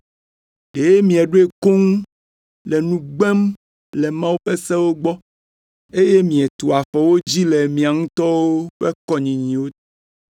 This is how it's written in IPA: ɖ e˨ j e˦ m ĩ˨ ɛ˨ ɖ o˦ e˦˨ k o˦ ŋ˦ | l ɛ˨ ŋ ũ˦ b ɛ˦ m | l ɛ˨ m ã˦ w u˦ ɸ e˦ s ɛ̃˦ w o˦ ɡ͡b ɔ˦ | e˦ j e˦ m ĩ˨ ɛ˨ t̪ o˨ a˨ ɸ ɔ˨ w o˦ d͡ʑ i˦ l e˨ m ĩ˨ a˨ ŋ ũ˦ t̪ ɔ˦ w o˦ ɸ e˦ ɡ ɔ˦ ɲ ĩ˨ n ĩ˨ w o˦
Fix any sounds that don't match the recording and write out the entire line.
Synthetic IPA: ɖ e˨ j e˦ m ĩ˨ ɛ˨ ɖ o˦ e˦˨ k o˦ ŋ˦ | l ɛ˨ n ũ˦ ɡ͡b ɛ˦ m | l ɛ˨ m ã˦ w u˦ ɸ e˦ s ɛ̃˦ w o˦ ɡ͡b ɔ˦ | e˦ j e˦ m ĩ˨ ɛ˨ t̪ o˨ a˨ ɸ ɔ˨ w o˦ d͡ʑ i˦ l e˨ m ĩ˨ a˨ ŋ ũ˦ t̪ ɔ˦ w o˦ ɸ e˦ k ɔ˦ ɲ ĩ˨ ɲ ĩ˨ w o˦